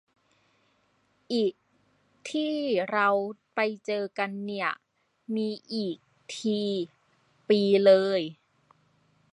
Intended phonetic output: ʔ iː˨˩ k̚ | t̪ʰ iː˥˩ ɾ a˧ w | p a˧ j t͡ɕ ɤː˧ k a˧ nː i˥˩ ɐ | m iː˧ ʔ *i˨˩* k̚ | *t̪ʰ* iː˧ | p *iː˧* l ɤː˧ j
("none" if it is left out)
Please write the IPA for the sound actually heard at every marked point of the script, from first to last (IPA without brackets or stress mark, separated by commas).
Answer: iː˨˩, t̪ʰ, iː˧